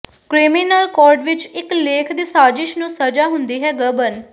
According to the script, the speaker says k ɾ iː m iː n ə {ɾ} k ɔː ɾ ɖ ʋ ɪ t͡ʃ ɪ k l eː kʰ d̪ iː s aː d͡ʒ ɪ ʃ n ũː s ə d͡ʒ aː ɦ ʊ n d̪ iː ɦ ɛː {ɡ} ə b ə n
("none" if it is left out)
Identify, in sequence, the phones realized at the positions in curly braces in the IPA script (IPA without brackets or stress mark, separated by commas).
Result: l, ɡ